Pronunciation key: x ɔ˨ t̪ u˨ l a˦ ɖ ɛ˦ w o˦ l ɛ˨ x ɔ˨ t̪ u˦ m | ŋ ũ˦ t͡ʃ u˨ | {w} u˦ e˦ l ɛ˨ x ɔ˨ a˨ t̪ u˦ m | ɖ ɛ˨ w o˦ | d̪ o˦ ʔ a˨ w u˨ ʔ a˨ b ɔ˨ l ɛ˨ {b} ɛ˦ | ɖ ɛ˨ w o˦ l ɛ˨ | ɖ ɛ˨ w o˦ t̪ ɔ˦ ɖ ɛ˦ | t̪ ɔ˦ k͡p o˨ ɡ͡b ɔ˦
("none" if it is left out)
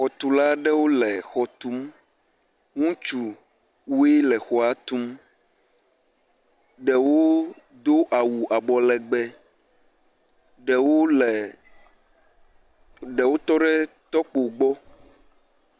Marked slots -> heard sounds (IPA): w, ɡ͡b

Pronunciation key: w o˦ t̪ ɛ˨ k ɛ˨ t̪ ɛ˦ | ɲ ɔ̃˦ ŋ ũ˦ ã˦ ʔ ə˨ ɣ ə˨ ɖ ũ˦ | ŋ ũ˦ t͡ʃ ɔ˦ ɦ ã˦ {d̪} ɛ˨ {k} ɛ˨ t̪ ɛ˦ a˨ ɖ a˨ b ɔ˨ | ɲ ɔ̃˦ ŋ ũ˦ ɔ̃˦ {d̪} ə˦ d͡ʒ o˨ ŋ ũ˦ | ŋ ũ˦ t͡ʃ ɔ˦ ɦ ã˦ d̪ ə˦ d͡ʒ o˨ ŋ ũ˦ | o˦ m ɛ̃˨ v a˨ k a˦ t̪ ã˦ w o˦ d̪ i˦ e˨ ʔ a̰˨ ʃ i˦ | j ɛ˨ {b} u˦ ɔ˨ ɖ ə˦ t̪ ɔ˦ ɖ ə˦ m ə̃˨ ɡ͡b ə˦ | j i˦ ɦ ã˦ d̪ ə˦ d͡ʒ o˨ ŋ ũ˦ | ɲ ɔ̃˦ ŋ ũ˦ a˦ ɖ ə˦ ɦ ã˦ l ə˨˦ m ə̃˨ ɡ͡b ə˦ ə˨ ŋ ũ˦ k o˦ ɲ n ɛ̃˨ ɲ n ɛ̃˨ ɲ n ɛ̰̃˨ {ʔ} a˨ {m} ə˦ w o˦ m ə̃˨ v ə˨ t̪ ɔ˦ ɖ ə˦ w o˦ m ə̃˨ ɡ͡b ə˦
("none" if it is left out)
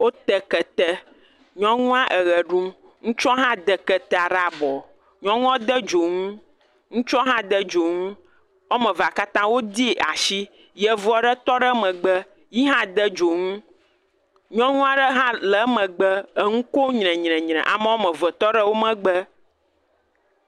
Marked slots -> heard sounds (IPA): d̪, k, d̪, v, ʔ, m

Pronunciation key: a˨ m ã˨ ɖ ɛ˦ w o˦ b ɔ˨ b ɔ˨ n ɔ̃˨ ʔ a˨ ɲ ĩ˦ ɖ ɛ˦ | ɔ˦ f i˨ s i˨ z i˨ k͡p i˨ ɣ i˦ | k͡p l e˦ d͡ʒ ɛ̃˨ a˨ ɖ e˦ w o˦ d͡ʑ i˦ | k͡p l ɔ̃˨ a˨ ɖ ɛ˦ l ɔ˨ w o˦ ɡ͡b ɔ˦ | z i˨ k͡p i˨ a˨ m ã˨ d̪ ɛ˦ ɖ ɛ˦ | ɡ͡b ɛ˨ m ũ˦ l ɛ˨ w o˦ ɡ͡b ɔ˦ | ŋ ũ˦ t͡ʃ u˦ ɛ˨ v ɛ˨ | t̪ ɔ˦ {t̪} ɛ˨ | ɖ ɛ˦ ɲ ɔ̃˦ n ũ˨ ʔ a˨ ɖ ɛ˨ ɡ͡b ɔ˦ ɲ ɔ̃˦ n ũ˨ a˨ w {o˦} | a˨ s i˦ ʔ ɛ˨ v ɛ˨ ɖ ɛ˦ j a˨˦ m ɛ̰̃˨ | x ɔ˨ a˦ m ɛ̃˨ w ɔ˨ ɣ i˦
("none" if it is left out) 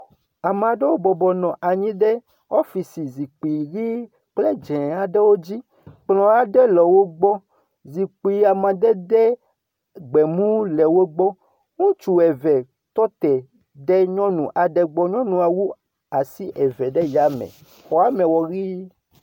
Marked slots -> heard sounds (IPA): t̪, u˦

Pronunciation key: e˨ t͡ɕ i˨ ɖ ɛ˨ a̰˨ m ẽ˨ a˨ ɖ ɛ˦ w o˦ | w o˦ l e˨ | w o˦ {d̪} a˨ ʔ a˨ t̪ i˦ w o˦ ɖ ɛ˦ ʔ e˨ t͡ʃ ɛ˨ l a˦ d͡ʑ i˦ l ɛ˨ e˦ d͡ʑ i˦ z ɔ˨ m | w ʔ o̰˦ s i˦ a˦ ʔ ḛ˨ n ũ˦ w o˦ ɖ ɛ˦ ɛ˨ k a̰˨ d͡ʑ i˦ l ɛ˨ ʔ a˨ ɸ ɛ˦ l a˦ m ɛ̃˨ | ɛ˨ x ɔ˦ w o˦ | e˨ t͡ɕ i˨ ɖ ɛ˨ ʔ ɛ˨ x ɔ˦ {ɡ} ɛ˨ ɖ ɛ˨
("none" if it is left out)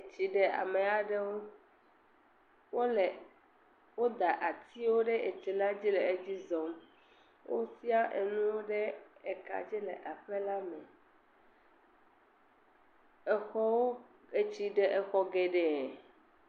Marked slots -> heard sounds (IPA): d̪, ɡ

